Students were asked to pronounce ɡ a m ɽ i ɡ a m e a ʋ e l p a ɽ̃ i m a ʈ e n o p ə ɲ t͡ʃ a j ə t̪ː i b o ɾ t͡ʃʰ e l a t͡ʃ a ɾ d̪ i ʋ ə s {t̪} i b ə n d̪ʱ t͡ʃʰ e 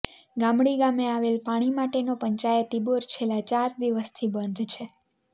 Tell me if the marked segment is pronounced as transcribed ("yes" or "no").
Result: no